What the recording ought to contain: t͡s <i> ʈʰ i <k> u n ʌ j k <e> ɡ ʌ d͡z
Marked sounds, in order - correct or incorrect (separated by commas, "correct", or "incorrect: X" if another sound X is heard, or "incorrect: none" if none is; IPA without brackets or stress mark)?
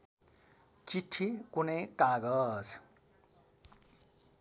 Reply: correct, correct, incorrect: a